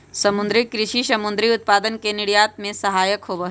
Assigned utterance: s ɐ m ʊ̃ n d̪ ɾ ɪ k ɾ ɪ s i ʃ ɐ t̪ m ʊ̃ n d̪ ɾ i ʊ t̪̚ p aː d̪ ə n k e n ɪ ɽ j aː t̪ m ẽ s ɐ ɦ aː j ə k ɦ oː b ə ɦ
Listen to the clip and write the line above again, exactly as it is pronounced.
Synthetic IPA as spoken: s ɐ m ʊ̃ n d̪ ɾ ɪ k ɾ ɪ ʃ i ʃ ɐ m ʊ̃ n d̪ ɾ i ʊ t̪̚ p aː d̪ ə n k e n ɪ ɽ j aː t̪ m ẽ s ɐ ɦ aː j ə k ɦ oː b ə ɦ